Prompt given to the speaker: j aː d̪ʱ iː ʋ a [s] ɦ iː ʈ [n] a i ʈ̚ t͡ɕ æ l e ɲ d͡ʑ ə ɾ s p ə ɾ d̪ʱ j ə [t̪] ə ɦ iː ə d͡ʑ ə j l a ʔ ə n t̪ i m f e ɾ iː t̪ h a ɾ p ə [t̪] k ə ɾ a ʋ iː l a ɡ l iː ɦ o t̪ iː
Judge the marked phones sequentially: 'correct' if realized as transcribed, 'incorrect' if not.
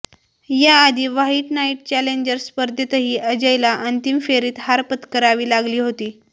incorrect, correct, correct, correct

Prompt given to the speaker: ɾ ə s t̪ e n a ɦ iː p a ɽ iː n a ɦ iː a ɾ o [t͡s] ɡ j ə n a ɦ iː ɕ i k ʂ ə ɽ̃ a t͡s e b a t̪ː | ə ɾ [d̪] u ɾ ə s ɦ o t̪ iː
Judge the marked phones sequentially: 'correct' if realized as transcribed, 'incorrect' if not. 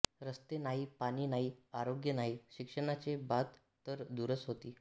incorrect, correct

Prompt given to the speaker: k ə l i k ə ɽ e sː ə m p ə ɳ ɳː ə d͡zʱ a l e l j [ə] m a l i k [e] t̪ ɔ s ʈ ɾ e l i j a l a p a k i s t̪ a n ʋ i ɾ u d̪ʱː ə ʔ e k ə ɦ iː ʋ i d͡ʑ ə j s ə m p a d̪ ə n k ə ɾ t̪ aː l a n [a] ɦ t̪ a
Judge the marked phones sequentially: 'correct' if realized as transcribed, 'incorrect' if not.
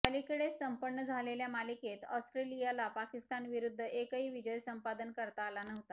incorrect, correct, incorrect

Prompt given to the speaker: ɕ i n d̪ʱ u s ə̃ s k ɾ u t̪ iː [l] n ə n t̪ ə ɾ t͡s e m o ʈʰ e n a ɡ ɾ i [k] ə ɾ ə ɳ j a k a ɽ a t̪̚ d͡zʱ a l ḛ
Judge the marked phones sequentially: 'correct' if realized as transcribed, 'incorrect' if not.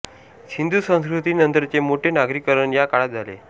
incorrect, correct

